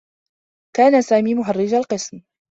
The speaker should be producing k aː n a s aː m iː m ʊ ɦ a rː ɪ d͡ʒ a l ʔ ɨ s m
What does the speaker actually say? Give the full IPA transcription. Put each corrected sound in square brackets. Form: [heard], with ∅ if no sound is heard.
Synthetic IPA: k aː n a s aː m iː m ʊ ɦ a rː ɪ d͡ʒ a l [q] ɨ s m

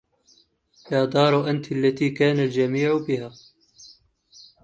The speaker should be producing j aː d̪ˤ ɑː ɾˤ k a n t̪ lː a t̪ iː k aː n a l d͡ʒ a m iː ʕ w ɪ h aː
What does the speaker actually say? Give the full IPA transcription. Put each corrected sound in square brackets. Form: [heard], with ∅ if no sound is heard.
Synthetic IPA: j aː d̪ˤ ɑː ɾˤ [ʔ] a n t̪ lː a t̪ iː k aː n a l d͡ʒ a m iː ʕ [b] ɪ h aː

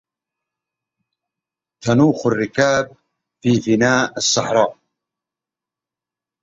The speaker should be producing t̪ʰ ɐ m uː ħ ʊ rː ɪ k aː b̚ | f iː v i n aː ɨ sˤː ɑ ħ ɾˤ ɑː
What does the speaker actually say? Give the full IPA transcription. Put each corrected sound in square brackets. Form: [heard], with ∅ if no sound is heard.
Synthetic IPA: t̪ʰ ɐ [n] uː [x] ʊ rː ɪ k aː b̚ | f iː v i n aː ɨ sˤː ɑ ħ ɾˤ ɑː

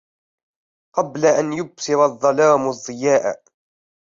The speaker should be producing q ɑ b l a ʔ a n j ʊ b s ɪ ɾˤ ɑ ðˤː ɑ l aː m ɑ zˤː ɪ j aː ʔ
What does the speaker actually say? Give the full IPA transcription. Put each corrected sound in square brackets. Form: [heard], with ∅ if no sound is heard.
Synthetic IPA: q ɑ b l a ʔ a n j ʊ b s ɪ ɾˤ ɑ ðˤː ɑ l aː m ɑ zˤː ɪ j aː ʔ

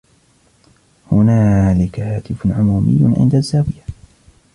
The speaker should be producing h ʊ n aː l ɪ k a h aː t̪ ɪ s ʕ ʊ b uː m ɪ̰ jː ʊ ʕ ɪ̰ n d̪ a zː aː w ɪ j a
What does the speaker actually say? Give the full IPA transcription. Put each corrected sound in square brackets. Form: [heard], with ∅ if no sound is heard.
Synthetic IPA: h ʊ n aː l ɪ k a h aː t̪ ɪ [f] ʕ ʊ [m] uː m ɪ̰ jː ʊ ʕ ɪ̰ n d̪ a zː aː w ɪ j a

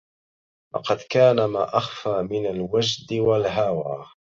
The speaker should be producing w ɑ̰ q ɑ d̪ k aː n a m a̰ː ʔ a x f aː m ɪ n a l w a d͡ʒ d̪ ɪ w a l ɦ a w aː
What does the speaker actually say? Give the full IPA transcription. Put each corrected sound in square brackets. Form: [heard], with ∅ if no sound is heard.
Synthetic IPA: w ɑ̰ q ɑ d̪ k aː n a m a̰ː ʔ a x f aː m ɪ n a l w a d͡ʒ d̪ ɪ w a l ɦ a w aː

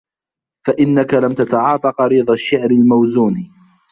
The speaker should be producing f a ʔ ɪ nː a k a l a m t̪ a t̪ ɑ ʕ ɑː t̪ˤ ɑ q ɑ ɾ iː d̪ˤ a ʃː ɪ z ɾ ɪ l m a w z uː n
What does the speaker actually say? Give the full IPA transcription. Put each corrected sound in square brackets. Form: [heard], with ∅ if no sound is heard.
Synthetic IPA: f a ʔ ɪ nː a k a l a m t̪ a t̪ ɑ ʕ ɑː t̪ˤ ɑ q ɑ ɾ iː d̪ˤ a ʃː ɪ [ʕ] ɾ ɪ l m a w z uː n

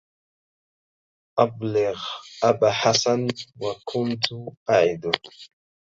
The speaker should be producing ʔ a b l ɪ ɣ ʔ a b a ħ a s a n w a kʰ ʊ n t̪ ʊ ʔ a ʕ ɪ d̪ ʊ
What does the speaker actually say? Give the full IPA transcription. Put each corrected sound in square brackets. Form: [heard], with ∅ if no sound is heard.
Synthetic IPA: ʔ a b l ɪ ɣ ʔ a b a ħ a s a n w a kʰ ʊ n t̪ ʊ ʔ a ʕ ɪ d̪ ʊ

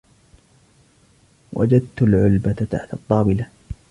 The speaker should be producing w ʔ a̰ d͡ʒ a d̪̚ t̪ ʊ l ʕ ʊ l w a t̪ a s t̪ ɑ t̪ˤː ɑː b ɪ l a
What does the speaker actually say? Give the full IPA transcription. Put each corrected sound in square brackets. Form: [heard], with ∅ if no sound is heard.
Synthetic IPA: w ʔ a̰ d͡ʒ a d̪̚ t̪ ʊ l ʕ ʊ l [b] a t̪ a [ħ] t̪ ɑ t̪ˤː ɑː b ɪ l a

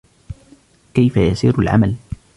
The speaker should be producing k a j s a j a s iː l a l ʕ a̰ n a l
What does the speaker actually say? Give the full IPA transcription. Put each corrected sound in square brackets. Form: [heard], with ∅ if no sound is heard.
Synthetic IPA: k a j [f] a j a s iː [ɾ] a l ʕ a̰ [m] a l

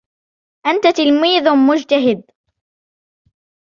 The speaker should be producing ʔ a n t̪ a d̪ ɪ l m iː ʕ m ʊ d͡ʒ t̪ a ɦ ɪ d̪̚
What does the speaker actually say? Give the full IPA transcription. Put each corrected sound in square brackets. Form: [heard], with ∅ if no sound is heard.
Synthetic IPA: ʔ a n t̪ a [t̪] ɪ l m iː [ð] m ʊ d͡ʒ t̪ a ɦ ɪ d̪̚

